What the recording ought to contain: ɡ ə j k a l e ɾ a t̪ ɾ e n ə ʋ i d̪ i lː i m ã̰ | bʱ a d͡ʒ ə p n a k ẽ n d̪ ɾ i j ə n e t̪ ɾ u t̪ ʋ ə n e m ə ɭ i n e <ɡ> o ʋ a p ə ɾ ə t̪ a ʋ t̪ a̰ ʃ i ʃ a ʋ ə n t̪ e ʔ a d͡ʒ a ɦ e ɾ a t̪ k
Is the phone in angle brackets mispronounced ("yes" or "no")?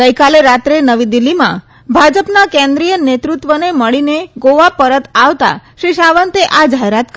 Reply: no